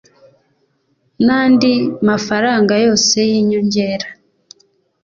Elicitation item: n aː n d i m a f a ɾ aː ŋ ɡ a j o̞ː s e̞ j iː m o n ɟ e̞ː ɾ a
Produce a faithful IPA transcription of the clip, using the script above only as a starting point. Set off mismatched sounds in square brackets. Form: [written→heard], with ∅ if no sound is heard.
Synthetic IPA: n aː n d i m a f a ɾ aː ŋ ɡ a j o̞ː s e̞ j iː [m→ɲ] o [n→ɲ] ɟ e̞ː ɾ a